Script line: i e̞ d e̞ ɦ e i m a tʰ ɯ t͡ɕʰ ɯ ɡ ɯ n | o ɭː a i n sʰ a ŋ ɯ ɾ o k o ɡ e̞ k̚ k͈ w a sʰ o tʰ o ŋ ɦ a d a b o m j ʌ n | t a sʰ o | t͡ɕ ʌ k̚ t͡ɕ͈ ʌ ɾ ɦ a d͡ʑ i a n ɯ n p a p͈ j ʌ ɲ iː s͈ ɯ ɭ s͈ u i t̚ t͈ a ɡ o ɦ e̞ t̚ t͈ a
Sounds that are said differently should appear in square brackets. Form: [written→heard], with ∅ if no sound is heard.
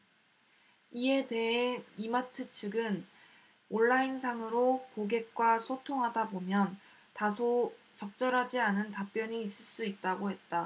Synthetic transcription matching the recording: i e̞ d e̞ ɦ e i m a tʰ ɯ t͡ɕʰ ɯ ɡ ɯ n | o ɭː a i n sʰ a ŋ ɯ ɾ o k o ɡ e̞ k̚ k͈ w a sʰ o tʰ o ŋ ɦ a d a b o m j ʌ n | t a sʰ o | t͡ɕ ʌ k̚ t͡ɕ͈ ʌ ɾ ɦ a d͡ʑ i a n ɯ n [p→t] a p͈ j ʌ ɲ iː s͈ ɯ ɭ s͈ u i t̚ t͈ a ɡ o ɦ e̞ t̚ t͈ a